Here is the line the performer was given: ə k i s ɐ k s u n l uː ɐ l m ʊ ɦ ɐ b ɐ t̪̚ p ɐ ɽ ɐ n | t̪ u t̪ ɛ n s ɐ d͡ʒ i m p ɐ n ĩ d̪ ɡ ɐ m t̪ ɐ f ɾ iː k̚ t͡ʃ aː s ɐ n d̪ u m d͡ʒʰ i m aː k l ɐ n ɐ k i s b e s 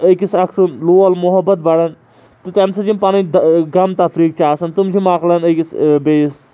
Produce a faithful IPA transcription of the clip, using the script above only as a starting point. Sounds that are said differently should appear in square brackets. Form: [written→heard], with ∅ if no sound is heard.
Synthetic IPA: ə k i s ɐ k s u n l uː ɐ l m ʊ ɦ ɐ b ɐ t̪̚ [p→b] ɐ ɽ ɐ n | t̪ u t̪ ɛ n s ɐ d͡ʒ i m p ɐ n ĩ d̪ ɡ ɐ m t̪ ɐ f ɾ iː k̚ t͡ʃ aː s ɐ n [d̪→t̪] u m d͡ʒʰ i m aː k l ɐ n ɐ k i s b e s